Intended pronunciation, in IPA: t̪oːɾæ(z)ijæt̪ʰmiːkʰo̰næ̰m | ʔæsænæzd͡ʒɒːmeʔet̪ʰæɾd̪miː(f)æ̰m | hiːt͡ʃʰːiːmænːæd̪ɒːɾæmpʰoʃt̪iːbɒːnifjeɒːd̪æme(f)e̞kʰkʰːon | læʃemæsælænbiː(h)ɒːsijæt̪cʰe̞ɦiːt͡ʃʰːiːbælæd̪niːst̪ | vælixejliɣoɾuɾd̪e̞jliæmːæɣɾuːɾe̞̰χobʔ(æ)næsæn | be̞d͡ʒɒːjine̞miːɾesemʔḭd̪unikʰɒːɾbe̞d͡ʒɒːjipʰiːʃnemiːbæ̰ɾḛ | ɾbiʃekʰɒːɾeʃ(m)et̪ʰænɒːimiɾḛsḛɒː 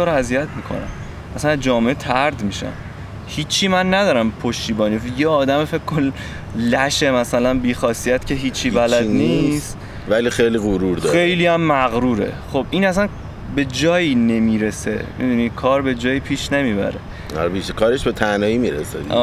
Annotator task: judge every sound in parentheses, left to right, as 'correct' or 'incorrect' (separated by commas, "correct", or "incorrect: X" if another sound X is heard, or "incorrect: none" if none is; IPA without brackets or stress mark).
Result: correct, incorrect: ʃ, correct, incorrect: x, incorrect: i, incorrect: b